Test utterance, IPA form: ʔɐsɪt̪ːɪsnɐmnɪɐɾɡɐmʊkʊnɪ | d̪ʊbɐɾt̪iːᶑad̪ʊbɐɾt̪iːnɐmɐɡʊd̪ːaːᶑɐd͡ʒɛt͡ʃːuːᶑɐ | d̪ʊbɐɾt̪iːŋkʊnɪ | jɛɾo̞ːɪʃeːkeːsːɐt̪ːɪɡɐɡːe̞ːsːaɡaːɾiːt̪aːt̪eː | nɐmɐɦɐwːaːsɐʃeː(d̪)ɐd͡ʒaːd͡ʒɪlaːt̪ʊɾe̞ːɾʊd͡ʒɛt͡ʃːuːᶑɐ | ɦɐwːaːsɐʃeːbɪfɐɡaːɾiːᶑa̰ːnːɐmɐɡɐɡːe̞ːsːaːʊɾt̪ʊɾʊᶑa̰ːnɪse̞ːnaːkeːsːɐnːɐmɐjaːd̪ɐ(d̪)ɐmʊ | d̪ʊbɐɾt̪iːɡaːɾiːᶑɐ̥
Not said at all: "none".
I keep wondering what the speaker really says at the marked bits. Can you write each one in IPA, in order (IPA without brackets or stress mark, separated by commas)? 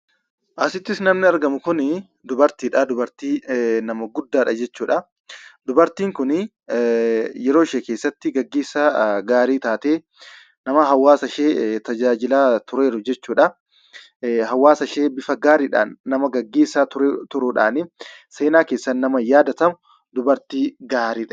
t̪, t̪